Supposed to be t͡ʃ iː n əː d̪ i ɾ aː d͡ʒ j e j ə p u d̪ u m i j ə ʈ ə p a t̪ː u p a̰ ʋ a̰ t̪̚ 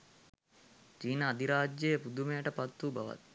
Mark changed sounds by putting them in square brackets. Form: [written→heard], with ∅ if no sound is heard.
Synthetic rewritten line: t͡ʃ iː n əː d̪ i ɾ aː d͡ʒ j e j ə p u d̪ u m [i→e] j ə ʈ ə p a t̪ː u [p→b] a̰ ʋ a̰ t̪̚

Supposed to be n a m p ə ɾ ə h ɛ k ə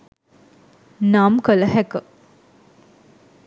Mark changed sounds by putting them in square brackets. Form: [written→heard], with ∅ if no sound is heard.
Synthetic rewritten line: n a m [p→k] ə [ɾ→l] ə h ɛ k ə

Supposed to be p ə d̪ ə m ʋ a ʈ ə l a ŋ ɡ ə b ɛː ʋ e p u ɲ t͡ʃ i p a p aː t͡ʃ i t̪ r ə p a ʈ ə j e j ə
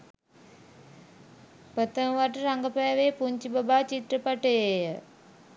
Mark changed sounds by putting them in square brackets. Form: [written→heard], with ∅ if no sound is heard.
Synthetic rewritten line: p ə [d̪→t̪] ə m ʋ a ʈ ə [l→ɾ] a ŋ ɡ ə [b→p] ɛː ʋ e p u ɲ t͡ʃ i [p→b] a [p→b] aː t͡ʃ i t̪ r ə p a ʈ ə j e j ə

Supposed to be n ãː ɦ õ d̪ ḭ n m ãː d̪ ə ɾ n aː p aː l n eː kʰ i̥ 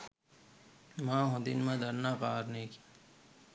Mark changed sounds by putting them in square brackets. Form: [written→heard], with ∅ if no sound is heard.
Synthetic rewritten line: [n→m] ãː ɦ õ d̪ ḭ n m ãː d̪ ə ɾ n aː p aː [l→ɾ] n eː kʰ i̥

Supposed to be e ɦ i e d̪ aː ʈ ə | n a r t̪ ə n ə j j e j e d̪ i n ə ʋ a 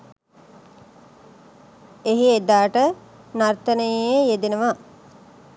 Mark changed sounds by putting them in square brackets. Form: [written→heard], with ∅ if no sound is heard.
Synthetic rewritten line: e ɦ i e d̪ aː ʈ ə | n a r t̪ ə n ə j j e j e d̪ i n ə ʋ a

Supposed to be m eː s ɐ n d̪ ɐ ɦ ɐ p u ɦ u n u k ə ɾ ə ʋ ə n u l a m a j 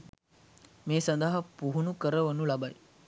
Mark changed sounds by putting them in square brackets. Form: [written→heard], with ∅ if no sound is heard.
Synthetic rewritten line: m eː s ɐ n d̪ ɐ ɦ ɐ p u ɦ u n u k ə ɾ ə ʋ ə n u l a [m→b] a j

